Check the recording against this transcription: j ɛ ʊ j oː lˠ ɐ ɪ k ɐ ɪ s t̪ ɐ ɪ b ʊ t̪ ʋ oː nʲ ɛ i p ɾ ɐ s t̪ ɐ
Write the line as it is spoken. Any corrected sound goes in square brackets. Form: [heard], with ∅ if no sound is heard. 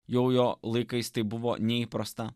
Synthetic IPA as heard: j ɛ ʊ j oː lˠ ɐ ɪ k ɐ ɪ s t̪ ɐ ɪ b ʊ [∅] ʋ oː nʲ ɛ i p ɾ ɐ s t̪ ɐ